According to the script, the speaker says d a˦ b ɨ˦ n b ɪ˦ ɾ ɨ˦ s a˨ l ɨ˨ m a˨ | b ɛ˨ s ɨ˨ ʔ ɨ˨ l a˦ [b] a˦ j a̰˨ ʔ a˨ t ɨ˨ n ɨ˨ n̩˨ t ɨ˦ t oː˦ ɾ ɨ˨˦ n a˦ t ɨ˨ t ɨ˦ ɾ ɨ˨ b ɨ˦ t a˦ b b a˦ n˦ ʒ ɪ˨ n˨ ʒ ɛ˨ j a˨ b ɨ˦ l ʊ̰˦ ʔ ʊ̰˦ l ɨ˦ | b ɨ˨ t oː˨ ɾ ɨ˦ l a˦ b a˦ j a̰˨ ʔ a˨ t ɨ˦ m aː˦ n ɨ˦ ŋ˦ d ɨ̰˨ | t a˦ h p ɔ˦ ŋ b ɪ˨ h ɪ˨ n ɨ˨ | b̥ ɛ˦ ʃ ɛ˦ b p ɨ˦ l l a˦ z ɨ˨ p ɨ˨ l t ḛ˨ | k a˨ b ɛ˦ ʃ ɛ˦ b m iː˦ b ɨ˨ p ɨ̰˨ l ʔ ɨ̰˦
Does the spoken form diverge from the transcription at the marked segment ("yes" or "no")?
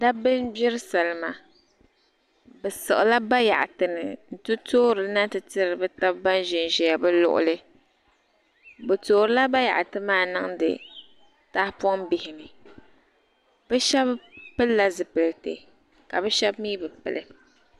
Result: no